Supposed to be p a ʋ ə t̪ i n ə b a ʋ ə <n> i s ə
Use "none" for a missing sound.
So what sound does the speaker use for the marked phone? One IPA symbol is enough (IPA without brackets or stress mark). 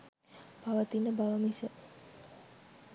m